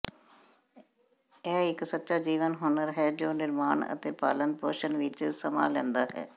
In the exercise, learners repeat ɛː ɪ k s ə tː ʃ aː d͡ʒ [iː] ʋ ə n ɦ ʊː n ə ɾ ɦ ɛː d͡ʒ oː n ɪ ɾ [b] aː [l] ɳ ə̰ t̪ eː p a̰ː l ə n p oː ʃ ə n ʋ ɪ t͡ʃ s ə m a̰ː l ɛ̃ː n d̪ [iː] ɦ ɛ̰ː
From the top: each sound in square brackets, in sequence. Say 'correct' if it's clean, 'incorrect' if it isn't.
correct, incorrect: m, incorrect: none, incorrect: aː

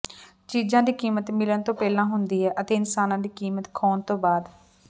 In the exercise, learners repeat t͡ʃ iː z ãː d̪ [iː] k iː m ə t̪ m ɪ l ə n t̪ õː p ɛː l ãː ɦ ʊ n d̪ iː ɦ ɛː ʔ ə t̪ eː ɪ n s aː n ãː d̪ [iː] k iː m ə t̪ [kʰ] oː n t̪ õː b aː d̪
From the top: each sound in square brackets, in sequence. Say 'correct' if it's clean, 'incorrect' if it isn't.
correct, correct, correct

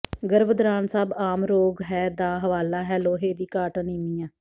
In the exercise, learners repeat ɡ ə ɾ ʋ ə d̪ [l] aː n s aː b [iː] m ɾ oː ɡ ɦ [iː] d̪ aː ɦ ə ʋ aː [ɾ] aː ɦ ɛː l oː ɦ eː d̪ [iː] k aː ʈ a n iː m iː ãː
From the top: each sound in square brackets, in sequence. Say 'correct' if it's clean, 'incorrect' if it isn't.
incorrect: ɾ, incorrect: aː, incorrect: ɛː, incorrect: l, correct

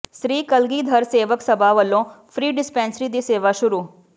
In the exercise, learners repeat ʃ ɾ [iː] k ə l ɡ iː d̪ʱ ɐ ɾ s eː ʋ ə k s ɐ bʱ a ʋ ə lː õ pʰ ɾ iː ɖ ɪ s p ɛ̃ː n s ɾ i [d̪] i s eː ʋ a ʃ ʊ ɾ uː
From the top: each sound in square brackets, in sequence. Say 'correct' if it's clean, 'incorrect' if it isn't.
correct, correct

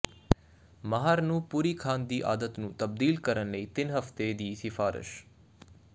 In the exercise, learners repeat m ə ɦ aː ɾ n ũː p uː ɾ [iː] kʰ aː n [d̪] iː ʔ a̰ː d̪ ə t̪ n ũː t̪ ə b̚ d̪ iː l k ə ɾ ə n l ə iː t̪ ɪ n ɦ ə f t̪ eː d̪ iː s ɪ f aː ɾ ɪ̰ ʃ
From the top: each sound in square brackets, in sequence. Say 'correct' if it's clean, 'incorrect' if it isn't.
correct, correct

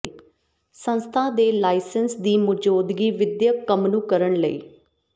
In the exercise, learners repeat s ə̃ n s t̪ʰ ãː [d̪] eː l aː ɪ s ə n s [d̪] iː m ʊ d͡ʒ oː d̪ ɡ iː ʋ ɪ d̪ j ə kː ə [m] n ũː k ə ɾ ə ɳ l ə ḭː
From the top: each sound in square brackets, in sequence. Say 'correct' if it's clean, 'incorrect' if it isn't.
correct, correct, correct

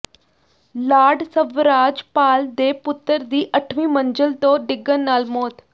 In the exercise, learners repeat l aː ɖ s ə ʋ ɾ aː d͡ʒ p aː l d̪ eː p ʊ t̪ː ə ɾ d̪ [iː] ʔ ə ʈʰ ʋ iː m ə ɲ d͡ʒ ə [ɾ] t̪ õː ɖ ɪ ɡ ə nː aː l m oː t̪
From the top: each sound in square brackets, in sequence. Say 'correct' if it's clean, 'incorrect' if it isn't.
correct, incorrect: l

